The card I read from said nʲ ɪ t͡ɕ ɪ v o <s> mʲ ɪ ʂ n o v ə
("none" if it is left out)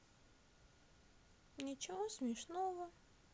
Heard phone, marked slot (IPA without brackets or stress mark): s